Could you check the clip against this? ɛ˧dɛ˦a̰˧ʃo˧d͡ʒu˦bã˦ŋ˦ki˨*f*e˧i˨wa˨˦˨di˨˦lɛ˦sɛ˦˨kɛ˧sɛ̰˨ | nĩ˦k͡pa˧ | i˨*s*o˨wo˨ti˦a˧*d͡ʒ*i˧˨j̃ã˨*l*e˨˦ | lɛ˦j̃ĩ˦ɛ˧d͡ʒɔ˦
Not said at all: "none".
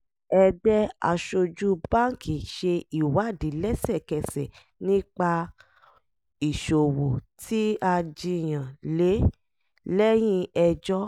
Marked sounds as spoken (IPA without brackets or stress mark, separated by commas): ʃ, ʃ, d͡ʒ, l